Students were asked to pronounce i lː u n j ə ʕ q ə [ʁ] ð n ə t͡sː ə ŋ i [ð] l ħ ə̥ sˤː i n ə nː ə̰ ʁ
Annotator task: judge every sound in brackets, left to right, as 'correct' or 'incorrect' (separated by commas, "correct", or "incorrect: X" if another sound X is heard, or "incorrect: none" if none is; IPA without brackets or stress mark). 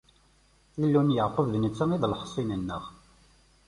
incorrect: v, correct